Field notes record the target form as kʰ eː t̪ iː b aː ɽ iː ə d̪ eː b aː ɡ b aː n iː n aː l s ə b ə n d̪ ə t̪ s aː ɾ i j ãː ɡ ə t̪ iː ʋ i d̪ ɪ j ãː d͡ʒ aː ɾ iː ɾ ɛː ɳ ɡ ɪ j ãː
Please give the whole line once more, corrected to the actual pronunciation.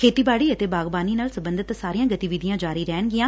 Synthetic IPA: kʰ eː t̪ iː b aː ɽ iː ə t̪ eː b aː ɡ b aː n iː n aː l s ə b ə n d̪ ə t̪ s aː ɾ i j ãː ɡ ə t̪ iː ʋ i d̪ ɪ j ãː d͡ʒ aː ɾ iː ɾ ɛː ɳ ɡ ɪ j ãː

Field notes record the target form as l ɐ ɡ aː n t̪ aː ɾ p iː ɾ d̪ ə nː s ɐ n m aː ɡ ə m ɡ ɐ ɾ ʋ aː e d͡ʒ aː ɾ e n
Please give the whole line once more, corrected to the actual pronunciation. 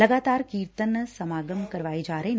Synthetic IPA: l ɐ ɡ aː t̪ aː ɾ k iː ɾ t̪ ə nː s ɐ m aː ɡ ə m k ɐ ɾ ʋ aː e d͡ʒ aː ɾ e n

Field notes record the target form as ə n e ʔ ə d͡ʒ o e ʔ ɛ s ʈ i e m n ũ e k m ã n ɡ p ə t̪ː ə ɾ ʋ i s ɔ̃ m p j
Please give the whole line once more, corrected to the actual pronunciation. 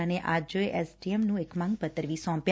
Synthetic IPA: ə n e ʔ a d͡ʒ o e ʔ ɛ s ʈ i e m n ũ e k m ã ŋ ɡ p ə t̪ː ə ɾ ʋ i s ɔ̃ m p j

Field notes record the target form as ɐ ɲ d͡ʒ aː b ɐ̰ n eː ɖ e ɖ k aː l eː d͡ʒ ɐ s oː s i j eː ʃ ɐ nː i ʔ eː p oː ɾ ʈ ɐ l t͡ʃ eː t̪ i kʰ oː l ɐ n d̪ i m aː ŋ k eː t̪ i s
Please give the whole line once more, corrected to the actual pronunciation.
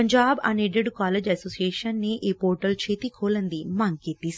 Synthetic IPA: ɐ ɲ d͡ʒ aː b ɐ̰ n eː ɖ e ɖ k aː l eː d͡ʒ ɐ s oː s i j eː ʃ ɐ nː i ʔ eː p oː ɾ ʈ ɐ l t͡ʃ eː t̪ i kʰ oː l ɐ n d̪ i m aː ŋ k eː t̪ i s

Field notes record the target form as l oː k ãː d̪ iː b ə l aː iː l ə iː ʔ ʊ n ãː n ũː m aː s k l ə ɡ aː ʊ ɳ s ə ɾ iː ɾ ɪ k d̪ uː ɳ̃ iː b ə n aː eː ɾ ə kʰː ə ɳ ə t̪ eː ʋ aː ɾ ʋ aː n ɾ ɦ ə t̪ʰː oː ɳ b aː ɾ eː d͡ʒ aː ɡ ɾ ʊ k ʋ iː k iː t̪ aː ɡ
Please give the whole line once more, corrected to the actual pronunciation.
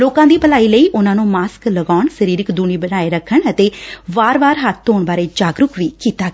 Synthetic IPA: l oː k ãː d̪ iː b ə l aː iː l ə iː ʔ ʊ n ãː n ũː m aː s k l ə ɡ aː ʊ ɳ s ə ɾ iː ɾ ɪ k d̪ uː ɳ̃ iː b ə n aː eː ɾ ə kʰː ə ɳ ə t̪ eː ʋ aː ɾ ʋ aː ɾ ɦ ə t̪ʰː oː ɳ b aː ɾ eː d͡ʒ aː ɡ ɾ ʊ k ʋ iː k iː t̪ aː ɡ

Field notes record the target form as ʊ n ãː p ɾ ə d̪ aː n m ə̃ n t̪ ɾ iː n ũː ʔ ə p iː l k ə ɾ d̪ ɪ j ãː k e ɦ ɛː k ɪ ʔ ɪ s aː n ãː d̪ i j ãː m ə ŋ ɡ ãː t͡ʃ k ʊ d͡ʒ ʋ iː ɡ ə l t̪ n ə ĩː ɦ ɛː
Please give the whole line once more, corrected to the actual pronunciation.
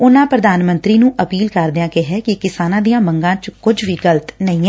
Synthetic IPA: ʊ n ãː p ɾ ə d̪ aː n m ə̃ n t̪ ɾ iː n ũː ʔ ə p iː l k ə ɾ d̪ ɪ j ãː k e ɦ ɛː k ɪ k ɪ s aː n ãː d̪ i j ãː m ə ŋ ɡ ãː t͡ʃ k ʊ d͡ʒ ʋ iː ɡ ə l t̪ n ə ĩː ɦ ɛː

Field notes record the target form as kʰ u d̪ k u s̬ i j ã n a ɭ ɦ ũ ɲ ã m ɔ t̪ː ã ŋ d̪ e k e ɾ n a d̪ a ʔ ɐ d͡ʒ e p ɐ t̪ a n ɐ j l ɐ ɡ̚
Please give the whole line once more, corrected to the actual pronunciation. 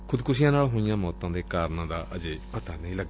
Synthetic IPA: kʰ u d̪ k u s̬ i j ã n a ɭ ɦ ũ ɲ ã m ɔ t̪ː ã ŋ d̪ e k a ɾ n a d̪ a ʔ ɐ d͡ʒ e p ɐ t̪ a n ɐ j l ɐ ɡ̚

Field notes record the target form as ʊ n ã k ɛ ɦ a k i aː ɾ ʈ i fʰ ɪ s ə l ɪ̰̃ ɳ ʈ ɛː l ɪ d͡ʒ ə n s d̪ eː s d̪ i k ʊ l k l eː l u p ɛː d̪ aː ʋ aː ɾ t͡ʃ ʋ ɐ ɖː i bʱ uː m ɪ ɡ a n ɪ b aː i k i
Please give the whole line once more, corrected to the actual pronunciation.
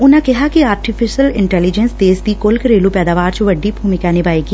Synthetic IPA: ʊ n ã k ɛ ɦ a k i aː ɾ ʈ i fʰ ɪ ʃ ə l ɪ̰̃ ɳ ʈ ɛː l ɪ d͡ʒ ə n s d̪ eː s d̪ i k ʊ l k ɾ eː l u p ɛː d̪ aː ʋ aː ɾ t͡ʃ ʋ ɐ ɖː i bʱ uː m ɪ k a n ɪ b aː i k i

